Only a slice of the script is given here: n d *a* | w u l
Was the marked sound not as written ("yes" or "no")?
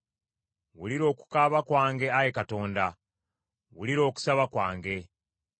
no